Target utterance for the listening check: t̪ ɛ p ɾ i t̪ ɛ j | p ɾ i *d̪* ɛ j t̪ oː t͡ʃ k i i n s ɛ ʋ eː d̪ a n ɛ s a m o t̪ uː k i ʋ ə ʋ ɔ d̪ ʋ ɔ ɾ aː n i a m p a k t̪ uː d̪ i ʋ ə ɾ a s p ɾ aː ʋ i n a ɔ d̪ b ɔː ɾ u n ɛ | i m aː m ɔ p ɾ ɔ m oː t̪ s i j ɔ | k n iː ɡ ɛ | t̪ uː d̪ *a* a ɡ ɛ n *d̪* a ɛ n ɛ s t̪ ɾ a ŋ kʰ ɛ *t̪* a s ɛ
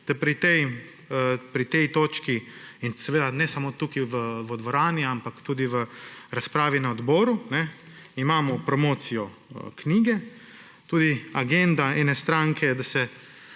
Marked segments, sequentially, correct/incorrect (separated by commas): incorrect, incorrect, correct, incorrect